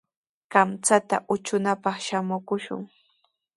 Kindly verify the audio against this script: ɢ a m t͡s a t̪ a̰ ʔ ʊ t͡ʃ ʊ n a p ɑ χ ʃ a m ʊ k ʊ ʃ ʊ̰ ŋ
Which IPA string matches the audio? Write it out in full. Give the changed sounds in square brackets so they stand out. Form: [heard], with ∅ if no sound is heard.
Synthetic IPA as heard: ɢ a m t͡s a t̪ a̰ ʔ ʊ t͡ʃ ʊ n a p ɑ χ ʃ a m ʊ k ʊ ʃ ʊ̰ ŋ